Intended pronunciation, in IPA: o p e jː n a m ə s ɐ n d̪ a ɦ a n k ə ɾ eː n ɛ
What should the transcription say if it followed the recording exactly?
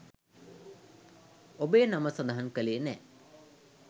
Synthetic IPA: o b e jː n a m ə s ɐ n d̪ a ɦ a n k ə l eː n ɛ